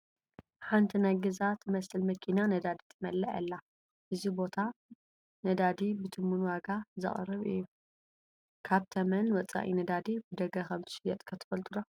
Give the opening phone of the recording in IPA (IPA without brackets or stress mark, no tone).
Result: ħ